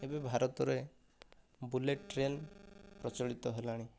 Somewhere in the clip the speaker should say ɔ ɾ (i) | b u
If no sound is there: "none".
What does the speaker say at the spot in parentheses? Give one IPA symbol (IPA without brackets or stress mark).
e